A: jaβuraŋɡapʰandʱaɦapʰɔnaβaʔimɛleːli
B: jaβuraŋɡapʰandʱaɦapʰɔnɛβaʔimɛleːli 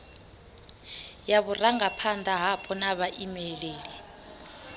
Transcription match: A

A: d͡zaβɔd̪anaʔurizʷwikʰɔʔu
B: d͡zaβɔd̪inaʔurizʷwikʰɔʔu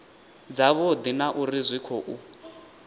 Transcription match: B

